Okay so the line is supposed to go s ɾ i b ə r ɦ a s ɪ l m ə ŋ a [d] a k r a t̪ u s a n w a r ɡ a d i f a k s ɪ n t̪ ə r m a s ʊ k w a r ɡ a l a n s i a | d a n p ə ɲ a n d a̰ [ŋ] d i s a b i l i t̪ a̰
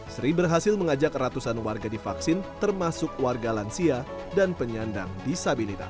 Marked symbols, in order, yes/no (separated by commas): no, yes